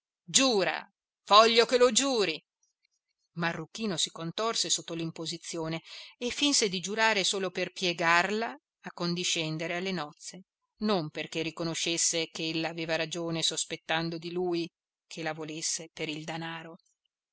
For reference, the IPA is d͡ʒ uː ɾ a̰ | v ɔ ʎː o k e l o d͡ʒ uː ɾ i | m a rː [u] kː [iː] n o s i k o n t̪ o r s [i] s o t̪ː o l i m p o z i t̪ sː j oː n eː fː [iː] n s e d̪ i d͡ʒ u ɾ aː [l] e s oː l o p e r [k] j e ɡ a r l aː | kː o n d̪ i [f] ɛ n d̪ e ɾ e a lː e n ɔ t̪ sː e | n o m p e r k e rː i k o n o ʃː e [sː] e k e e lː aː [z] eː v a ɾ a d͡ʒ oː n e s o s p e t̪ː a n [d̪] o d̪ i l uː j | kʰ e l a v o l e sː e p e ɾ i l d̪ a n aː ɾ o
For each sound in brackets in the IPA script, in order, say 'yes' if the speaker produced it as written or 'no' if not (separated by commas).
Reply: yes, yes, no, no, no, no, no, yes, no, yes